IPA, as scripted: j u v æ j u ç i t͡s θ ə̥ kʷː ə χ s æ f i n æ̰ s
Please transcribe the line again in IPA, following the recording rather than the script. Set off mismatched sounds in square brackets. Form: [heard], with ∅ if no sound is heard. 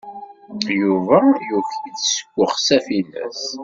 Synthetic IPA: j u v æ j u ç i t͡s [s] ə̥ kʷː ə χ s æ f i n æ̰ s

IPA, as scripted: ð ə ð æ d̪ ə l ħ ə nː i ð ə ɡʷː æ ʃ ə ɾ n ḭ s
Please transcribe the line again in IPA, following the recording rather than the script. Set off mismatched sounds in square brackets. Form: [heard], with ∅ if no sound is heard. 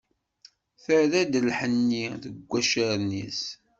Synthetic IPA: [θ] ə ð æ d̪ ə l ħ ə nː i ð ə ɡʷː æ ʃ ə ɾ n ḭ s

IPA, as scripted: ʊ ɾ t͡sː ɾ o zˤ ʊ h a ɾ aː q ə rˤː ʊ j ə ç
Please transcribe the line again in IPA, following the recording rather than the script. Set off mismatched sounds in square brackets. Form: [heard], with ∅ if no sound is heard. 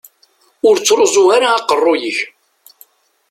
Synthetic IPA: ʊ ɾ t͡sː ɾ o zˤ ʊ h a ɾ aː q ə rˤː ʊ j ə ç

